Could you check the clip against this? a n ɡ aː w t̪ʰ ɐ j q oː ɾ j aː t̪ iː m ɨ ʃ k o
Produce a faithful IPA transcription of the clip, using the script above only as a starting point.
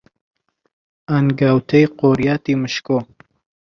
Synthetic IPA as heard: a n ɡ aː w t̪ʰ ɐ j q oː ɾ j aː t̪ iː m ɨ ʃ k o